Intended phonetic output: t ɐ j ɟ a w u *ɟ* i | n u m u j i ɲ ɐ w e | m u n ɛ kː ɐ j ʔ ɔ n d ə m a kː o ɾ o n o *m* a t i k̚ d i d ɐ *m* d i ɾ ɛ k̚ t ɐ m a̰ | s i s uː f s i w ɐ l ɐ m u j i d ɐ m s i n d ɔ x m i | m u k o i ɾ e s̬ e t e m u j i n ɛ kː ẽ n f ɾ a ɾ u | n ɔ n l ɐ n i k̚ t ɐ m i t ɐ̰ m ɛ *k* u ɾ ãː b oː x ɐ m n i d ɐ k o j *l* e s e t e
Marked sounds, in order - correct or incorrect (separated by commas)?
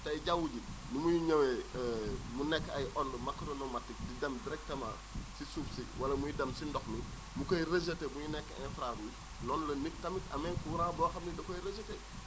correct, correct, correct, correct, incorrect